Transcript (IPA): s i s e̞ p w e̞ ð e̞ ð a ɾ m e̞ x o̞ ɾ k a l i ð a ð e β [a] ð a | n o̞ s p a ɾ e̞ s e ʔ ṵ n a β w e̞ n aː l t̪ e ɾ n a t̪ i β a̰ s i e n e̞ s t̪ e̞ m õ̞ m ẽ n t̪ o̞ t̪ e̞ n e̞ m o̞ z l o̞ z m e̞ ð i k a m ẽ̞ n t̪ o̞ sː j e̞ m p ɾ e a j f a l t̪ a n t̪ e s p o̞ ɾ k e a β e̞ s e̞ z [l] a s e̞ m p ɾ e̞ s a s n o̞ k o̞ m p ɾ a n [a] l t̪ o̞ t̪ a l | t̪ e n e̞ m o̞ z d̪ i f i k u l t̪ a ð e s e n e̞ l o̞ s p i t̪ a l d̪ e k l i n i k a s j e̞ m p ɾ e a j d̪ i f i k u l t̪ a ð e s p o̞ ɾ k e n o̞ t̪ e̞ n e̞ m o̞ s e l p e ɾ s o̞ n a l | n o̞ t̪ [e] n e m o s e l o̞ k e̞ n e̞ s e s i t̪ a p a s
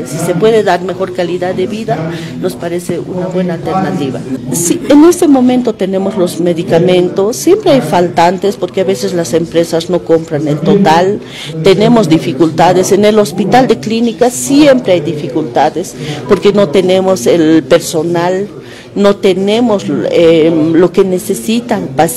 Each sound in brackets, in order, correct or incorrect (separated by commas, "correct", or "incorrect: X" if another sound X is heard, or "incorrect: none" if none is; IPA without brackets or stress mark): incorrect: i, correct, incorrect: e, correct